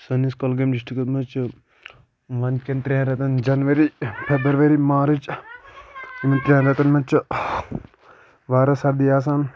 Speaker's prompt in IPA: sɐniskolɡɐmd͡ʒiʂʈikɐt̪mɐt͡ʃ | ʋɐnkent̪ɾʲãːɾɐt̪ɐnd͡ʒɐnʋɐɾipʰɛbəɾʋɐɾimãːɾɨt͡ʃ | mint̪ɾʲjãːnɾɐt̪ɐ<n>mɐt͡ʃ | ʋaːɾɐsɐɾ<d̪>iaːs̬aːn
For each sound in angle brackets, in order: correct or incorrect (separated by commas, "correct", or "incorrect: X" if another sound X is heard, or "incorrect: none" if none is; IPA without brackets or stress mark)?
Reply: correct, correct